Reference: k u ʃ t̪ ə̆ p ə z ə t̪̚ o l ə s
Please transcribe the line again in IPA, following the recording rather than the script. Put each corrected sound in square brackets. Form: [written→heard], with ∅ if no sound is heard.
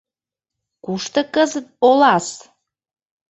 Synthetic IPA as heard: k u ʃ t̪ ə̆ [p→k] ə z ə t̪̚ o l [ə→ɑ] s